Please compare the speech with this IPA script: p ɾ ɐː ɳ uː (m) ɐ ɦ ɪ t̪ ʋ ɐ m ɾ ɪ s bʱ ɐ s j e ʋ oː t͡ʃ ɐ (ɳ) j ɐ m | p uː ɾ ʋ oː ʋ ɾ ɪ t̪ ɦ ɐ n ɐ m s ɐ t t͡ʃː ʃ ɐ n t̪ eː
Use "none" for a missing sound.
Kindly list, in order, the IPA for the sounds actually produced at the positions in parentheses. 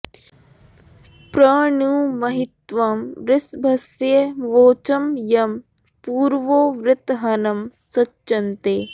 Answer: m, m

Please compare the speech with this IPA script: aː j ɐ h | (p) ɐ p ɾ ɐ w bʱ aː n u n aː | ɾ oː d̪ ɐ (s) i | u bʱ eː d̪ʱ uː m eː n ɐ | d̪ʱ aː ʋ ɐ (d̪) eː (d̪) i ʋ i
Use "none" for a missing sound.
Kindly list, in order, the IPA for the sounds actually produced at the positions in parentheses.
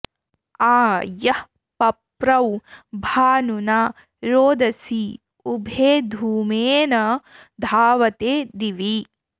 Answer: p, s, t̪, d̪

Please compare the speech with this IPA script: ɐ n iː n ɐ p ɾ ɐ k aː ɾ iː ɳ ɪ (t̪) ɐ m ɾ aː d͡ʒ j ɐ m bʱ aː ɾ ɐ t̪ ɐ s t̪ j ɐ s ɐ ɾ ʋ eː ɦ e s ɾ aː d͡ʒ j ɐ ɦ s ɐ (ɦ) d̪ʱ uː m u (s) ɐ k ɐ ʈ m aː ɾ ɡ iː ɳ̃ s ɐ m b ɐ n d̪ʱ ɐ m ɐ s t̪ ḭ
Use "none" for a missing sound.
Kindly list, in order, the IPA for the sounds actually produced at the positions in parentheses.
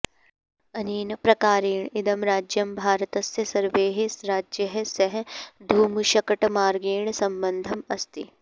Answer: d̪, ɦ, ʃ

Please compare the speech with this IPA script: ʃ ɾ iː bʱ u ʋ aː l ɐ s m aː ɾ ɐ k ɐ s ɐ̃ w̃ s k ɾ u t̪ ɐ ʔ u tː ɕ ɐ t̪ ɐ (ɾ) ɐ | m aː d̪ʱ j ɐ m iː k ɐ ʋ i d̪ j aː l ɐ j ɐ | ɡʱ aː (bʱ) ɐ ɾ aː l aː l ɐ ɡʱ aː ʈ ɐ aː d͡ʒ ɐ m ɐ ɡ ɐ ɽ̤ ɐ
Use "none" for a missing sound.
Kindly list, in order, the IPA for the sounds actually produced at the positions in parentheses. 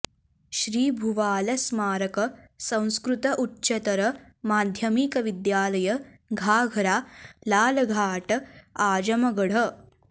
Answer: ɾ, ɡʱ

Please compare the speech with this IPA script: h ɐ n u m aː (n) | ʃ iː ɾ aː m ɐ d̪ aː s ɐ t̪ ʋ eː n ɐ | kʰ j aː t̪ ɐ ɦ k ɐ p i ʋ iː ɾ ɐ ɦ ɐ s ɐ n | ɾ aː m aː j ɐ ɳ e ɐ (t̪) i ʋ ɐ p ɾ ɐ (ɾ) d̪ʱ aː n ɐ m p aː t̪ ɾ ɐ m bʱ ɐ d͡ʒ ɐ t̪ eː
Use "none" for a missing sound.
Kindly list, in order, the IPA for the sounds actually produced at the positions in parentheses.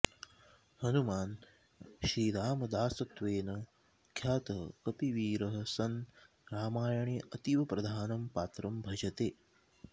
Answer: n, t̪, none

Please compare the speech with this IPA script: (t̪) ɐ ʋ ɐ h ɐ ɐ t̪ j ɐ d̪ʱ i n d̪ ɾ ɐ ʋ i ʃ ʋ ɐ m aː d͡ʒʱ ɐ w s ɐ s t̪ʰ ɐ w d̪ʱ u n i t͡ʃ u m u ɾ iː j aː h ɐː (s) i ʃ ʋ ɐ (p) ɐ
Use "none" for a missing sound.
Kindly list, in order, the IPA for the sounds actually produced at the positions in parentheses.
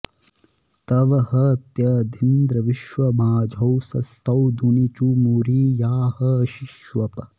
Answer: t̪, ʃ, p

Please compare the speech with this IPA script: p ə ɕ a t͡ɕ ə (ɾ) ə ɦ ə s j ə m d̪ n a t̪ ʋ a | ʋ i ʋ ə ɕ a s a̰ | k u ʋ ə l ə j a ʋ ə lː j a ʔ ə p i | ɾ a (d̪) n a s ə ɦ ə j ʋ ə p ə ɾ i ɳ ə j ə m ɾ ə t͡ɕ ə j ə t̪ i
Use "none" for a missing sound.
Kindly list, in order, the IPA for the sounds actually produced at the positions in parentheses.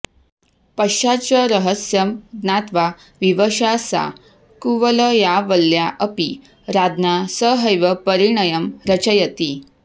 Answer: ɾ, d̪

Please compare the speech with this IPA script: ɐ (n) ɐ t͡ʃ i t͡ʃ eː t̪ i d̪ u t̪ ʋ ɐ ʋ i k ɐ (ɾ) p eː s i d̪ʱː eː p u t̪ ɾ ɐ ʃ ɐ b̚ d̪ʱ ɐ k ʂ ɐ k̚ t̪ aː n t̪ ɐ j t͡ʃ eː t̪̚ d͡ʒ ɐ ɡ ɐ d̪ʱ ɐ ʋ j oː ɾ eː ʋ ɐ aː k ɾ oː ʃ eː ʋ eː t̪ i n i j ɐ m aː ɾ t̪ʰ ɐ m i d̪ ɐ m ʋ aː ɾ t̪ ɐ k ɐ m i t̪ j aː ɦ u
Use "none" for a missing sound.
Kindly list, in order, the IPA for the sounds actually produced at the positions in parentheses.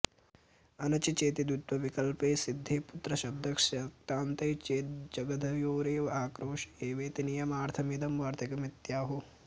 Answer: n, l

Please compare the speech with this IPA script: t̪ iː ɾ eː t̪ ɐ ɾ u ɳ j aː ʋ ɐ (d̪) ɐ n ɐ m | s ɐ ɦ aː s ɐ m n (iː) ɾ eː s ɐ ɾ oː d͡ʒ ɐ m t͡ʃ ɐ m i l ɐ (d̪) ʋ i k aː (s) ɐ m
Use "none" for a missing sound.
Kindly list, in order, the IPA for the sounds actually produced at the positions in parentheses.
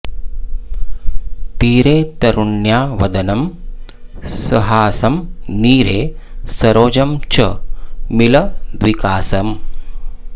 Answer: d̪, iː, d̪, s

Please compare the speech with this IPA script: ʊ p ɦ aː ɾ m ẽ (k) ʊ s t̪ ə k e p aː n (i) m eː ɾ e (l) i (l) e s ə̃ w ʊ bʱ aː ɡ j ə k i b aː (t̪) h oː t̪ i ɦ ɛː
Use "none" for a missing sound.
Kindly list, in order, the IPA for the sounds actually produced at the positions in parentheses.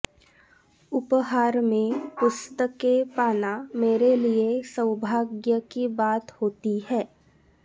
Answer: p, a, l, none, t̪

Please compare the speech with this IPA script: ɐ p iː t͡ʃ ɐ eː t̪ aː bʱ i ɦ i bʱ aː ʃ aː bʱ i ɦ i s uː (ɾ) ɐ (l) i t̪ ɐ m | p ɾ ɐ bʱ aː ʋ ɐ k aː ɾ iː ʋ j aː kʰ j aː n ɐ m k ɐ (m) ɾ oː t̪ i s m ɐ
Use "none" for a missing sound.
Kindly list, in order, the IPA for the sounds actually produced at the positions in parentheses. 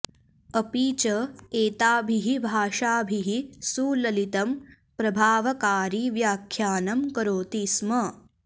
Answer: l, l, none

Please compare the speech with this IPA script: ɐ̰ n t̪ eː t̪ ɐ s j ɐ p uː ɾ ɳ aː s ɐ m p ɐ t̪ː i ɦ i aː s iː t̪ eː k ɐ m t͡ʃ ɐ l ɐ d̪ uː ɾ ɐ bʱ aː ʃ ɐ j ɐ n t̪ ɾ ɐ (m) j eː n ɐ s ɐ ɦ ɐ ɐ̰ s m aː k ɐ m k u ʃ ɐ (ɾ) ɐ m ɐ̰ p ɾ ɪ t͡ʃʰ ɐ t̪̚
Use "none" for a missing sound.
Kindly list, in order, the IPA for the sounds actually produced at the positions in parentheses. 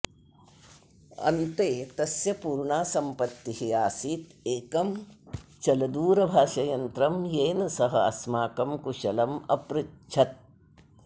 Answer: m, l

